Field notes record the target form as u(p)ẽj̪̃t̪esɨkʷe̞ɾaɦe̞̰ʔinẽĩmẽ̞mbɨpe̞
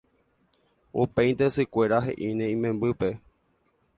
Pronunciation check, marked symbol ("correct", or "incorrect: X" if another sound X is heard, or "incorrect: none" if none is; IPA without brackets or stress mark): correct